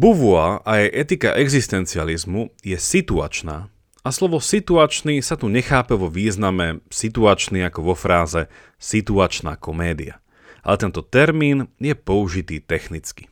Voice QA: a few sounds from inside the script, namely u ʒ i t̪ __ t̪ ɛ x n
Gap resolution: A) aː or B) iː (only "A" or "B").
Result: B